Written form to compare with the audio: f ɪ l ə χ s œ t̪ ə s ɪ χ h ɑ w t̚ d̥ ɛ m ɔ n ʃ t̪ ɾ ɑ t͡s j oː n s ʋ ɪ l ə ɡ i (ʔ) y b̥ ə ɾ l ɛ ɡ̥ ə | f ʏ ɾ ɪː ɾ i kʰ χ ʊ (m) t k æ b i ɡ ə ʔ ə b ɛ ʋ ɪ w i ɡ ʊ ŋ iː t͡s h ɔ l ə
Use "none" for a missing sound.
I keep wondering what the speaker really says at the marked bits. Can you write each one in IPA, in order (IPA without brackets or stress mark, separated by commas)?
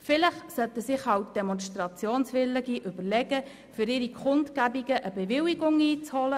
ʔ, n